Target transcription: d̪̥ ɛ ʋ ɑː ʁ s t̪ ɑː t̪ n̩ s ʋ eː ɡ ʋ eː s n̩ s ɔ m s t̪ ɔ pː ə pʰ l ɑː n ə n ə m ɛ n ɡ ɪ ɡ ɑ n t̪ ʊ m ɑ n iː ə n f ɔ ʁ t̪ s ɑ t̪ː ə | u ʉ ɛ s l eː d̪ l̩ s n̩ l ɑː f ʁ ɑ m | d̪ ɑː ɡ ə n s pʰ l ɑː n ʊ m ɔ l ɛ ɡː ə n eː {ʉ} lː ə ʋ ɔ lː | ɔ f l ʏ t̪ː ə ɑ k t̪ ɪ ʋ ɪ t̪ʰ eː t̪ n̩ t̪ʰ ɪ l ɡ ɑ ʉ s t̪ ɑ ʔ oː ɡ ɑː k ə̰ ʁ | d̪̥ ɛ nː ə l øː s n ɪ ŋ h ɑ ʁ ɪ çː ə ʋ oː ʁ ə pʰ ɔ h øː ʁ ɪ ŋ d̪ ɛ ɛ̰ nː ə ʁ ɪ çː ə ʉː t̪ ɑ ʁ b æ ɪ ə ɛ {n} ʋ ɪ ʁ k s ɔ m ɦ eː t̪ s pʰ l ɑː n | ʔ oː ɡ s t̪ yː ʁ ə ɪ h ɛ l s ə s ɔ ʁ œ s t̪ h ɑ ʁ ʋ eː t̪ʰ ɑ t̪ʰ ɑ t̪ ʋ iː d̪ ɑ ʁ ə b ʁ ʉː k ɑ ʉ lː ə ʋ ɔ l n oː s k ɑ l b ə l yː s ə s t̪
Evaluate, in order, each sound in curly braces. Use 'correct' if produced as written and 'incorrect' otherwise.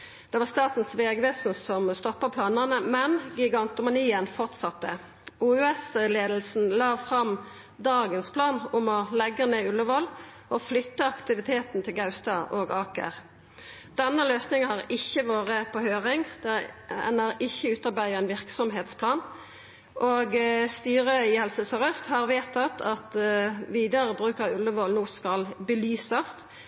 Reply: correct, correct

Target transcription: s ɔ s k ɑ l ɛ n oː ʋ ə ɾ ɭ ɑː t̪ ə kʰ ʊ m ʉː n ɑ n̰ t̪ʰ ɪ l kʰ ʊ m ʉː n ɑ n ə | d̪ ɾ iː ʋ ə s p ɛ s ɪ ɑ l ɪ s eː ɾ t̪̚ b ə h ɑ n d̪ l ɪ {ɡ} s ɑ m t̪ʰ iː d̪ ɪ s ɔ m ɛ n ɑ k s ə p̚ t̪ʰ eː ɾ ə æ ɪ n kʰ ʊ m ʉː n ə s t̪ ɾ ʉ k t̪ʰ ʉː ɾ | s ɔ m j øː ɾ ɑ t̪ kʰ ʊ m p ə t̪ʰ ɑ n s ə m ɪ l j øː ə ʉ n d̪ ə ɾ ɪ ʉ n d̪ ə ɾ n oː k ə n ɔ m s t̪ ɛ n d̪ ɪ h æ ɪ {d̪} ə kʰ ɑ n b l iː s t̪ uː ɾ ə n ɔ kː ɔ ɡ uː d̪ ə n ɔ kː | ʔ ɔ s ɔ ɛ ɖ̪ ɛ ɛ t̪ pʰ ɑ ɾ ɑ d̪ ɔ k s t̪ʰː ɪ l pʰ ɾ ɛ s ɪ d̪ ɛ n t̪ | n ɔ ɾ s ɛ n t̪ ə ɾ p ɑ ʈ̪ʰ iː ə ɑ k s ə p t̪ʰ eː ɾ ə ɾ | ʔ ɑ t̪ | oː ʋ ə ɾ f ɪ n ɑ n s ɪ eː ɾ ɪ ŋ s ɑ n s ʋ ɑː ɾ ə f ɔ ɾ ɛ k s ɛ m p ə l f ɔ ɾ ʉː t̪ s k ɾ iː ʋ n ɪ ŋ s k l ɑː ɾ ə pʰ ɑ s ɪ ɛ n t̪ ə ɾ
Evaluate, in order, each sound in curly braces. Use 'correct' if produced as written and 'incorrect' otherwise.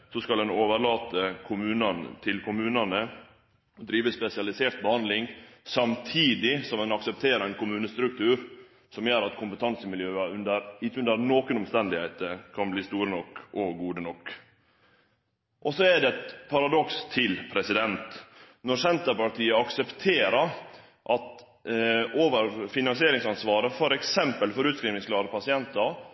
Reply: incorrect, incorrect

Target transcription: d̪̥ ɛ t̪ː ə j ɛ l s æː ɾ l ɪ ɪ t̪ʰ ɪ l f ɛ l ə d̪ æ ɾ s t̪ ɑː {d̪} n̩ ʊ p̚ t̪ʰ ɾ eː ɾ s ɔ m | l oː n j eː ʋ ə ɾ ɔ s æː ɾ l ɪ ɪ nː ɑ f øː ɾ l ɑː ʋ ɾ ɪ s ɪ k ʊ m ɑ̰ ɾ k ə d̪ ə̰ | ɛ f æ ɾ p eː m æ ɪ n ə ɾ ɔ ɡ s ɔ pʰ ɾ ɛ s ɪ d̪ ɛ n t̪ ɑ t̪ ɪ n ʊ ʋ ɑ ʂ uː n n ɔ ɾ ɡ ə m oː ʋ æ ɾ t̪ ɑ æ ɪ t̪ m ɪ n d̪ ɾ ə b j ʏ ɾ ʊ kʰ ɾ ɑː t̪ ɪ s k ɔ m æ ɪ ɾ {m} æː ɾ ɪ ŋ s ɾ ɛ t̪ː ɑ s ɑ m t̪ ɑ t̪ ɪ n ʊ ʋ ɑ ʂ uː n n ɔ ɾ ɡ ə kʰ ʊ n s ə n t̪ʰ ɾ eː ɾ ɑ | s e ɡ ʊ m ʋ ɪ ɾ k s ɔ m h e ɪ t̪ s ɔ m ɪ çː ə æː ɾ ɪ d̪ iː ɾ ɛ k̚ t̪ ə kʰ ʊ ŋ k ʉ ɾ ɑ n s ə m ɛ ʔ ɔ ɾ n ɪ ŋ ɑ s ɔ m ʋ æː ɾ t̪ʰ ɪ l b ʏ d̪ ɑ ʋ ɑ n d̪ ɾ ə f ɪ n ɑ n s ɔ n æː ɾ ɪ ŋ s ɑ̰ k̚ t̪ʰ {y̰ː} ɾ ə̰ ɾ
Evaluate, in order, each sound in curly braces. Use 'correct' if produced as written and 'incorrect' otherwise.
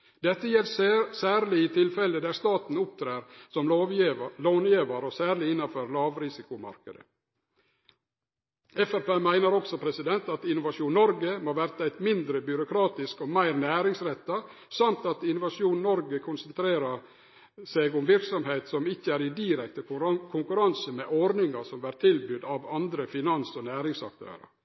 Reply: incorrect, incorrect, incorrect

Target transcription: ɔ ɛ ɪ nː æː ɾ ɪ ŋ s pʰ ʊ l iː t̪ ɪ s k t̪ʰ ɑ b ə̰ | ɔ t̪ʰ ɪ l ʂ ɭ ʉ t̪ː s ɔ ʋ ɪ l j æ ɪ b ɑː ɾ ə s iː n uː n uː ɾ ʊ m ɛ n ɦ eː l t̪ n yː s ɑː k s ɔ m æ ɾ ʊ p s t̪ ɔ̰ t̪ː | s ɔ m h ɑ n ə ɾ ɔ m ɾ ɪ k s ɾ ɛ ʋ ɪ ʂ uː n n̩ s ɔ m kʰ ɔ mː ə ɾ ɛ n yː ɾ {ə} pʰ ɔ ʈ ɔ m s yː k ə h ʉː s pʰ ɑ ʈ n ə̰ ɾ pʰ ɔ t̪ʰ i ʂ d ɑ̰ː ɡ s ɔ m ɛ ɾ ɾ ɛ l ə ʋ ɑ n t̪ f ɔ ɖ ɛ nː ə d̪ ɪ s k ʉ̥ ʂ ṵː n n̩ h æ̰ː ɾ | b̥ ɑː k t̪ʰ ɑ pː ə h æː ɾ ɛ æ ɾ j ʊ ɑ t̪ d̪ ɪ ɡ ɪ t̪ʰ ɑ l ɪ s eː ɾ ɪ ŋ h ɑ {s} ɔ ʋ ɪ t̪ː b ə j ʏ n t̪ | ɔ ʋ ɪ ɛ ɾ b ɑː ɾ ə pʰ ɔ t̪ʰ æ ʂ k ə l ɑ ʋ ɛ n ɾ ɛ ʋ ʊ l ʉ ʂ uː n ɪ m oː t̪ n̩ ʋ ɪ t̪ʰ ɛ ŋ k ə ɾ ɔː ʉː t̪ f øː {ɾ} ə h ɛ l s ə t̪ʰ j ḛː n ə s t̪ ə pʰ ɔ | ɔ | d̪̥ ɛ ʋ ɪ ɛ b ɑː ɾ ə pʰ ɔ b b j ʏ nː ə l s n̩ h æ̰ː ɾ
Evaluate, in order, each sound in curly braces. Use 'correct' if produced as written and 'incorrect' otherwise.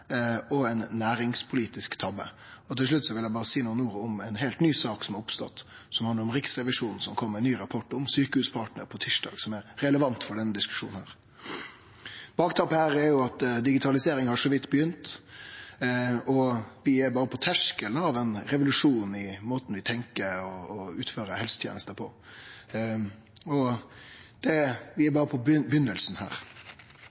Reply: incorrect, incorrect, correct

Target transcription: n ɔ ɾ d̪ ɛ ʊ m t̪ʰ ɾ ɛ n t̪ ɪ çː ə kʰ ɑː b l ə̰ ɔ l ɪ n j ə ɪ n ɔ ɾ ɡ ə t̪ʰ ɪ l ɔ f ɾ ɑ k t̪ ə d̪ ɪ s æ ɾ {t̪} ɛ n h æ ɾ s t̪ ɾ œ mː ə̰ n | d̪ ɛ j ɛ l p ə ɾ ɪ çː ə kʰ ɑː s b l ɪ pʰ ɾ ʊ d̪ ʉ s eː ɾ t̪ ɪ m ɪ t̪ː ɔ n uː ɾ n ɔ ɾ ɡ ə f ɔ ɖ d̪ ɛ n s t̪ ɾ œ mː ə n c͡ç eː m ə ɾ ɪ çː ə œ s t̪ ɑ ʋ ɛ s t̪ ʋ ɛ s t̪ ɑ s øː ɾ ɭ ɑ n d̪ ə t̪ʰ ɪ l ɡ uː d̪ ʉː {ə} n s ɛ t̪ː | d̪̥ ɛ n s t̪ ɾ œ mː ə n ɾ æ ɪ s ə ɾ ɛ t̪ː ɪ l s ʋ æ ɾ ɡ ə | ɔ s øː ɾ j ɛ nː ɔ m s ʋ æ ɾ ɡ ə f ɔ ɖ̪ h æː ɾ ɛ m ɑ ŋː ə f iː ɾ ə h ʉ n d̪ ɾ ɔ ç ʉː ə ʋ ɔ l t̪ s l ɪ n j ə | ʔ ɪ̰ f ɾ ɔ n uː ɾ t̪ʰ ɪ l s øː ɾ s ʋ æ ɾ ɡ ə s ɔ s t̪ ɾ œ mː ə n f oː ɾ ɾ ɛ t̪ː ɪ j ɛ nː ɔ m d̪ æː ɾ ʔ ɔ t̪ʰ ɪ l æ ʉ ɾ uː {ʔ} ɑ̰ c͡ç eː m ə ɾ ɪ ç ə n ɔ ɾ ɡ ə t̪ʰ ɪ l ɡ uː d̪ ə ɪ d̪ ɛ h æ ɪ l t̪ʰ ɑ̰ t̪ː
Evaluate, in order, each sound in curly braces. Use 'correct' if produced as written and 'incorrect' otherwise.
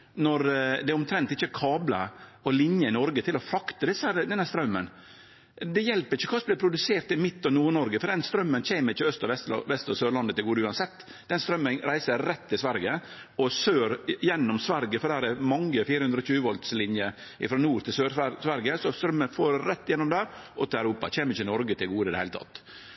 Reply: incorrect, incorrect, incorrect

